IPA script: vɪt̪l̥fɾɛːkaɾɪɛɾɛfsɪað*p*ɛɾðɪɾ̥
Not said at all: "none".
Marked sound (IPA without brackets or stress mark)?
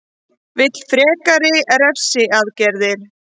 c